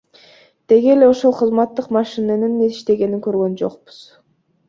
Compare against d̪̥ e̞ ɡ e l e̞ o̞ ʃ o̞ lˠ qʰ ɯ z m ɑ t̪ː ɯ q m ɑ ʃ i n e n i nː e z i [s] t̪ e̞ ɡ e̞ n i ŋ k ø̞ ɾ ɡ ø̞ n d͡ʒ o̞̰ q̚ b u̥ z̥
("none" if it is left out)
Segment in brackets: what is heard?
ʃ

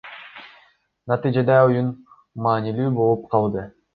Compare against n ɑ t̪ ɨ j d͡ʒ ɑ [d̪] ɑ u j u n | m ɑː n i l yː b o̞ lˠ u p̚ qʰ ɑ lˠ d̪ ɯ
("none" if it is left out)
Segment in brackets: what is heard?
d̪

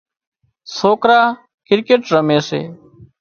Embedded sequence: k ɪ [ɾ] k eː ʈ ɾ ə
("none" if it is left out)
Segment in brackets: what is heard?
ɾ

